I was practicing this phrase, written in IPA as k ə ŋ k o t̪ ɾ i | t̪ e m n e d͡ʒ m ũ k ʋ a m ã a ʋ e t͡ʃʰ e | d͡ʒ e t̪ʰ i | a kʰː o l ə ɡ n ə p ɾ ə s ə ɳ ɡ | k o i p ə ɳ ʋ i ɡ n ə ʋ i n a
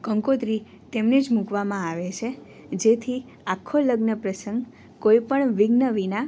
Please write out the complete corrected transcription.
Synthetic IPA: k ə ŋ k o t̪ ɾ i | t̪ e m n e d͡ʒ m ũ k ʋ a m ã a ʋ e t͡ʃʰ e | d͡ʒ e t̪ʰ i | a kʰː o l ə ɡ n ə p ɾ ə s ə ŋ ɡ | k o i p ə ɳ ʋ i ɡ n ə ʋ i n a

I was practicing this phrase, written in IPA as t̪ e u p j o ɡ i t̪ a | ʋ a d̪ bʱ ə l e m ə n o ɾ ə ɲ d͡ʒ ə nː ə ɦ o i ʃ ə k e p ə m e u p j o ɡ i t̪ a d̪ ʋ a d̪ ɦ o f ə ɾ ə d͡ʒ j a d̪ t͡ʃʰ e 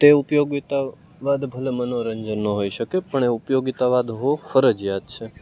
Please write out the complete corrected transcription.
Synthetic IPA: t̪ e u p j o ɡ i t̪ a | ʋ a d̪ bʱ ə l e m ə n o ɾ ə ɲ d͡ʒ ə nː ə ɦ o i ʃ ə k e p ə ɳ e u p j o ɡ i t̪ a ʋ a d̪ ɦ o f ə ɾ ə d͡ʒ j a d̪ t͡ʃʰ e

